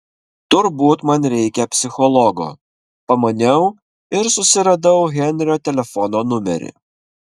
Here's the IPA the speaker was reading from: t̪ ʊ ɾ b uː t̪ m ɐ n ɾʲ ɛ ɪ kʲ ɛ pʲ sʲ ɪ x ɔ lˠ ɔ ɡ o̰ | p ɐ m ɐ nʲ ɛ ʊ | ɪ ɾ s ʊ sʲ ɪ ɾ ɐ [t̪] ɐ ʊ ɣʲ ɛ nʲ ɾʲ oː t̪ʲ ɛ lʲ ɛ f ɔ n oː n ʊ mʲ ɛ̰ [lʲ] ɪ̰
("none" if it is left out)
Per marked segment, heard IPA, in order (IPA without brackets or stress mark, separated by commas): d̪, ɾʲ